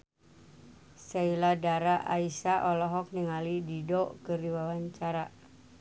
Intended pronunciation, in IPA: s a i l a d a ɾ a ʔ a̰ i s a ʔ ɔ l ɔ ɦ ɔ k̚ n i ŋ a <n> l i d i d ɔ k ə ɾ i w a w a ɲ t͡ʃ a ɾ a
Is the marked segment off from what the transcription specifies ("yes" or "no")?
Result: yes